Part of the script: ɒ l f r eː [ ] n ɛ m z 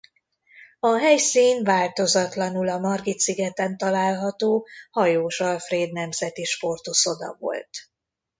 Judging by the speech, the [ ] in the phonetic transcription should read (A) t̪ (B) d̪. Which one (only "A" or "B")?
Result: B